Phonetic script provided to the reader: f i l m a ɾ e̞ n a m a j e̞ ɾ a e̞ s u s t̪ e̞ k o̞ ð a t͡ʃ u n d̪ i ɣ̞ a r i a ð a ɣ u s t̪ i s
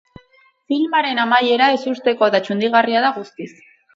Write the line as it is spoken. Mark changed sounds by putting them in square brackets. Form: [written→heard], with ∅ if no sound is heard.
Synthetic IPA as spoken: f i l m a ɾ e̞ n a m a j e̞ ɾ a e̞ s u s t̪ e̞ k o̞ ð a t͡ʃ u n d̪ i ɣ̞ a r i a ð a ɣ u s t̪ i s